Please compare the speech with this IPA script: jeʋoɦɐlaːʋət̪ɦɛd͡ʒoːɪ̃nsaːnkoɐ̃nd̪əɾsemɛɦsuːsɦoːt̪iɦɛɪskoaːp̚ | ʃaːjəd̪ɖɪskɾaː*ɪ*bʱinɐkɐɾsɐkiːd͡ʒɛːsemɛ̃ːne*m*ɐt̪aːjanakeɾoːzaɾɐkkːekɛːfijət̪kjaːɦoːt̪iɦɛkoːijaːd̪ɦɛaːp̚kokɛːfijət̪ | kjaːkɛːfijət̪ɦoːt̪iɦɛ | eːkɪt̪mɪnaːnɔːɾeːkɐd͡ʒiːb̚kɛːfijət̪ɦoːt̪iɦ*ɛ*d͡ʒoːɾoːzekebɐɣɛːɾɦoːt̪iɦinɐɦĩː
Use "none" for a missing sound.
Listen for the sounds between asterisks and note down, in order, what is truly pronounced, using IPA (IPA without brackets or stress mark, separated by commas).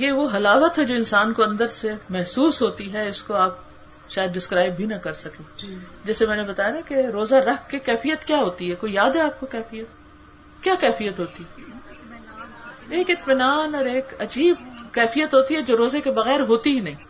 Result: ɪ, b, ɛ